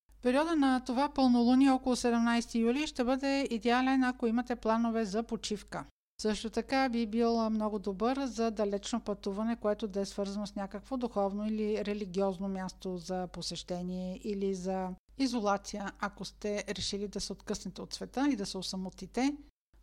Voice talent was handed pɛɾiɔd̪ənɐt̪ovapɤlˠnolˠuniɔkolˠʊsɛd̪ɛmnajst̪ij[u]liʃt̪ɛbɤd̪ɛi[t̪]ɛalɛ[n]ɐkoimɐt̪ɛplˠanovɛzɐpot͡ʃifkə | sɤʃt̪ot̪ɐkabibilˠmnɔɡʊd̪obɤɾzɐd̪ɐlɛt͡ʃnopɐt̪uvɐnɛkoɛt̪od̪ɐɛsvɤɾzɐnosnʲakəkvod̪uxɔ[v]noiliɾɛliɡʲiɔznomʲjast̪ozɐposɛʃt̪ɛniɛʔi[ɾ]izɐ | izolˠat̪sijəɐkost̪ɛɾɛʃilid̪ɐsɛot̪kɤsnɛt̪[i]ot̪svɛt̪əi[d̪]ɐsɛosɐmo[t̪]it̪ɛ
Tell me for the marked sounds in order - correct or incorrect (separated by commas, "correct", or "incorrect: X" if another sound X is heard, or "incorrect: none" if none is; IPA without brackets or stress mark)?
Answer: correct, incorrect: d̪, correct, correct, incorrect: l, incorrect: ɛ, correct, correct